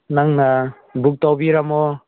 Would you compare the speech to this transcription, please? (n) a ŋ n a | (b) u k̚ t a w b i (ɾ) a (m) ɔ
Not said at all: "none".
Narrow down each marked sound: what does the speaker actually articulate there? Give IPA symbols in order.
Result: n, b, ɾ, m

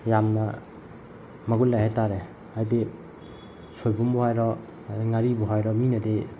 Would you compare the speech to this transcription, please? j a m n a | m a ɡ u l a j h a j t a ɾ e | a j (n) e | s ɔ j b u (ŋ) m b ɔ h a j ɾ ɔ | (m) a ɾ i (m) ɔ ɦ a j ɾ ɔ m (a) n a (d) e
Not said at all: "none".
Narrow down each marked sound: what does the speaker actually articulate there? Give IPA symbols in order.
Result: d, none, ŋ, b, i, d

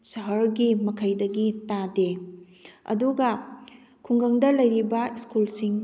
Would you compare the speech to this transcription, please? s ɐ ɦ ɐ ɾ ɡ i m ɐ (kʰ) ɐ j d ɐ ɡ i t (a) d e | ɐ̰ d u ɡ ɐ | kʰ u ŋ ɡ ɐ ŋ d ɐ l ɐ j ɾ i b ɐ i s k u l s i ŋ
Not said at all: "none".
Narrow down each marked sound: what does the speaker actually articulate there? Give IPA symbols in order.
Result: kʰ, a

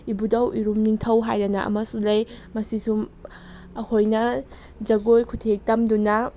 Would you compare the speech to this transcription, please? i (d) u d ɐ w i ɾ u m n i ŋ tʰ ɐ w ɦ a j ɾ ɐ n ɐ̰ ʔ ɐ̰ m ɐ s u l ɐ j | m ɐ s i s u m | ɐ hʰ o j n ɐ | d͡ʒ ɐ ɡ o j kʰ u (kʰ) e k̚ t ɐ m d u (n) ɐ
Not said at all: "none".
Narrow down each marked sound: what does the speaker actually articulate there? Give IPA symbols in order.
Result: b, tʰ, n

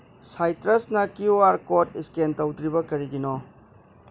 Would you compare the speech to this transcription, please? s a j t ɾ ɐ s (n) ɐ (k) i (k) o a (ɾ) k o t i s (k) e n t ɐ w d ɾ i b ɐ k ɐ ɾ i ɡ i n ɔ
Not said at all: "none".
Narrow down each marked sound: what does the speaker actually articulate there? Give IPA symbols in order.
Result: n, k, none, ɾ, k

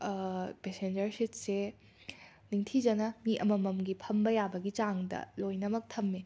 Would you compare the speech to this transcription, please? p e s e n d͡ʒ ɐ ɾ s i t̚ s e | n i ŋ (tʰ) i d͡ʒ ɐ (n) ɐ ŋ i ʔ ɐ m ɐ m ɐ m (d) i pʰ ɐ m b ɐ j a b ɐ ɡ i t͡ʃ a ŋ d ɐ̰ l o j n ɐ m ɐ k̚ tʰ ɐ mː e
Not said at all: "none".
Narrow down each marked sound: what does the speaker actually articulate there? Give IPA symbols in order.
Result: tʰ, n, ɡ

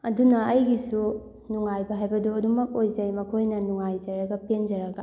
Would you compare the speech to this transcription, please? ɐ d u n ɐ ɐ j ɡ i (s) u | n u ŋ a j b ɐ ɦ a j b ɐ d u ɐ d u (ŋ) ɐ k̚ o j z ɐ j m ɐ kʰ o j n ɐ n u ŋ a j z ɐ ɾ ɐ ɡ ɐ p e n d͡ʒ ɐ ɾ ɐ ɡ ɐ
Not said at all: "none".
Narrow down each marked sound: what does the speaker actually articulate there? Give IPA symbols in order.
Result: s, m

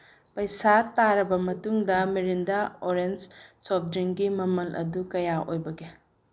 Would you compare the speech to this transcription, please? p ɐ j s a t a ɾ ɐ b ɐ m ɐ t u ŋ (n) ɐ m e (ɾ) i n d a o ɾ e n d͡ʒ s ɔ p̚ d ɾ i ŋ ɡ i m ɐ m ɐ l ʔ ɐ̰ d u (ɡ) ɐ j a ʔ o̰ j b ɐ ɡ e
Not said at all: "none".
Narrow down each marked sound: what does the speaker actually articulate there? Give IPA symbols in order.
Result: d, ɾ, k

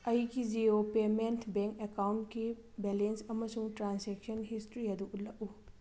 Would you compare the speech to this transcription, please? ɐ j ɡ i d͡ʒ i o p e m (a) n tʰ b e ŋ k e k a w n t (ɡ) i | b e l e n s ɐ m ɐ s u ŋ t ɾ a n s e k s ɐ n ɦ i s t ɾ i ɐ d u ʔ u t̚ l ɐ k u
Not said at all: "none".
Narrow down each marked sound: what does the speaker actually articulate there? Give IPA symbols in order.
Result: e, k

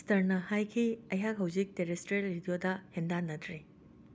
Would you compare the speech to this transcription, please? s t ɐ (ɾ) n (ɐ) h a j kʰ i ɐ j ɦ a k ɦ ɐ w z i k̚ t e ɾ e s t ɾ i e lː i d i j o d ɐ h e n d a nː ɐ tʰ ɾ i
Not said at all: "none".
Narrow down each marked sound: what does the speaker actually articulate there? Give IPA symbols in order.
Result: ɾ, ɐ

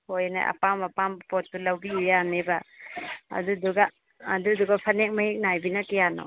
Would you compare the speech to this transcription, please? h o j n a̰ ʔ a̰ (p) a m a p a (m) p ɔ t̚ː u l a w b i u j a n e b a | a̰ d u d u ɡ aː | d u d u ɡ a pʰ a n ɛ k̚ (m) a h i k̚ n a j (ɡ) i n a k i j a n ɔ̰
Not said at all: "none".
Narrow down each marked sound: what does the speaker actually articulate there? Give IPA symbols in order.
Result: p, m, m, b

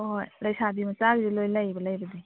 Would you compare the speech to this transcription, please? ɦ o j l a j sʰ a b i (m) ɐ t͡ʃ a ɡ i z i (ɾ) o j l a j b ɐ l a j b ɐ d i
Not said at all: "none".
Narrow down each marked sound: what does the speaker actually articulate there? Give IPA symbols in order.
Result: m, l

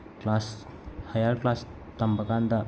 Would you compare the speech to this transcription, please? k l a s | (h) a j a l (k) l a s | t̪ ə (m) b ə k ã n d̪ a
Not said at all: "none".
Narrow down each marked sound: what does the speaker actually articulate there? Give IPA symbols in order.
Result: h, k, m

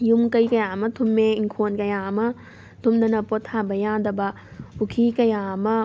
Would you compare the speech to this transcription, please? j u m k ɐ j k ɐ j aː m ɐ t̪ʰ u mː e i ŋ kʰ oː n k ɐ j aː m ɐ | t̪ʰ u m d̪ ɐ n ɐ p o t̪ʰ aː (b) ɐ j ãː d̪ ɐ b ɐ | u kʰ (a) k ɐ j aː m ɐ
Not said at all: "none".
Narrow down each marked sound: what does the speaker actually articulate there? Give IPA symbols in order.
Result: b, i

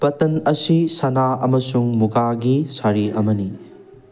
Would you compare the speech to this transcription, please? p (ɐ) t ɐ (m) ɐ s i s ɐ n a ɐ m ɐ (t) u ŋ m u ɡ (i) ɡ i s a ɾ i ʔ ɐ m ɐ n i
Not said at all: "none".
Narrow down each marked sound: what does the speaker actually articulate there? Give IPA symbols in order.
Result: ɐ, n, s, a

